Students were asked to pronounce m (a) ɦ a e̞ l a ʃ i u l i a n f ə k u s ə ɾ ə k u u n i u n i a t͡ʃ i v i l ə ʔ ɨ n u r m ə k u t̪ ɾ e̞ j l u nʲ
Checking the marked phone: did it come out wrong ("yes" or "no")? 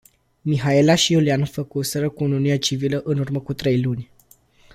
yes